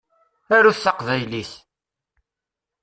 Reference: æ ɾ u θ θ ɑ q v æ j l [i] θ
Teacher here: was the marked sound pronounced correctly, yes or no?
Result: yes